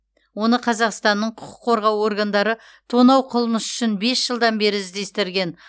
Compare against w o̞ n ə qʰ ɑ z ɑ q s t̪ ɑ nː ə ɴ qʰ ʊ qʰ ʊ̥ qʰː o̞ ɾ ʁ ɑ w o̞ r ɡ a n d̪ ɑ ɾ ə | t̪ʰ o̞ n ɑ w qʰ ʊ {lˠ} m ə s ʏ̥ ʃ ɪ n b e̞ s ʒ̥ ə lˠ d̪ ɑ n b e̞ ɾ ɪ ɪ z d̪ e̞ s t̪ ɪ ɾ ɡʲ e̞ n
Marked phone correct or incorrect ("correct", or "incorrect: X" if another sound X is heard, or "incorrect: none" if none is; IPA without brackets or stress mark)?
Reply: correct